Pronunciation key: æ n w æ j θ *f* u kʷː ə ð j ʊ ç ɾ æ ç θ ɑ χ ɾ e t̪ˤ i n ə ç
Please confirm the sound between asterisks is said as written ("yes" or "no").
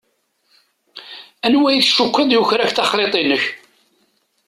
no